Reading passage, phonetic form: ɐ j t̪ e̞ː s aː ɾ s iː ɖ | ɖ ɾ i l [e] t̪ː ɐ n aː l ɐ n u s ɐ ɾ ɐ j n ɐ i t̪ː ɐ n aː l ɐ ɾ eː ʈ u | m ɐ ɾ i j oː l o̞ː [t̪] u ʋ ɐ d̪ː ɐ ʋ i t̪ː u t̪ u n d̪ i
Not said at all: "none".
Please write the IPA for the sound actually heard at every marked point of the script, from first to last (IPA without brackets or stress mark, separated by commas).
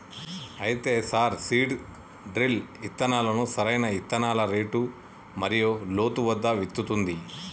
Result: i, t̪